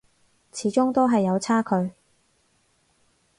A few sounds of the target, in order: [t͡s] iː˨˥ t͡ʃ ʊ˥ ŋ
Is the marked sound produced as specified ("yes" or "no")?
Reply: no